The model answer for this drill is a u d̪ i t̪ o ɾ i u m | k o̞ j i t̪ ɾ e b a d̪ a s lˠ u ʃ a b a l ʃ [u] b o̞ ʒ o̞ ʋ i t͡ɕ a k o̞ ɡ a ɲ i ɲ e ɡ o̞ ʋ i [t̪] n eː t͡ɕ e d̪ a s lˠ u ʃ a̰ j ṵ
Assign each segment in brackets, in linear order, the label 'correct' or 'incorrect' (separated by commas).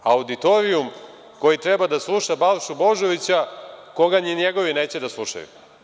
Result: correct, incorrect